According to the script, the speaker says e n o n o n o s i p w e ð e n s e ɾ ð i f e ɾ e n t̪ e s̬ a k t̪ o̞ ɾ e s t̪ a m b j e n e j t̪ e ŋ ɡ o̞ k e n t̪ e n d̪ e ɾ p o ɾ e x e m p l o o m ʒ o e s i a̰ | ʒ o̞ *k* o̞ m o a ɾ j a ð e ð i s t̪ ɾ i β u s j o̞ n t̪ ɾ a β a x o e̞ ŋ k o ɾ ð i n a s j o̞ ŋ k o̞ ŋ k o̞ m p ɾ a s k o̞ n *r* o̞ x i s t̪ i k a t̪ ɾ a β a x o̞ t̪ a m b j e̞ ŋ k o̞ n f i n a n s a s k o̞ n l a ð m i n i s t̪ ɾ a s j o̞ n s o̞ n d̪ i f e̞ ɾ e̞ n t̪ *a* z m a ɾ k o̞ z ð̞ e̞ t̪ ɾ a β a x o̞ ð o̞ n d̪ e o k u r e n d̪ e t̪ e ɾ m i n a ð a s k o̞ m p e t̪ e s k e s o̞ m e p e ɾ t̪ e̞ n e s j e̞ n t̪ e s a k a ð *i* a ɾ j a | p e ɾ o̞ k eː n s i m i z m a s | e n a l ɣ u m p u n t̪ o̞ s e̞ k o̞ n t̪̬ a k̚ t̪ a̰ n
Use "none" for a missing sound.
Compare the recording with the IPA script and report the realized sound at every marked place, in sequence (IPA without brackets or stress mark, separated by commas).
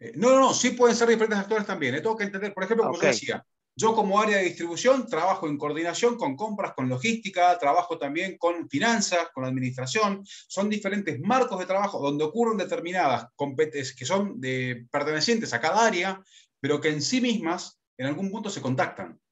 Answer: k, l, e, a